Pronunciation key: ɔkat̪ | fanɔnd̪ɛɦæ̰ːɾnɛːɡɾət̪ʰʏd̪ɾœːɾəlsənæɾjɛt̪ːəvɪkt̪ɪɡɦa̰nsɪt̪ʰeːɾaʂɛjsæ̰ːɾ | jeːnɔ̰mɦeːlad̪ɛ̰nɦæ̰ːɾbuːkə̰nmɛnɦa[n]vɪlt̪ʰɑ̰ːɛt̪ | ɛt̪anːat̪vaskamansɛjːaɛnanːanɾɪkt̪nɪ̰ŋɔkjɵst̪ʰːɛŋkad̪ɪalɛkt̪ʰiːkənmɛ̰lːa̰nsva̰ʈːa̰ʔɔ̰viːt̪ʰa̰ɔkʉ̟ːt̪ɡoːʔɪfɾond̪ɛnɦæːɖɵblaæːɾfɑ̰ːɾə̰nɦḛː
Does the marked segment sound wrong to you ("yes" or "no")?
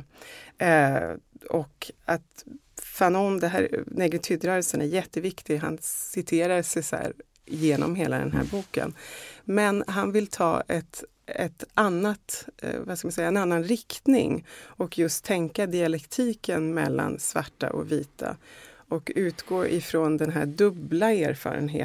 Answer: no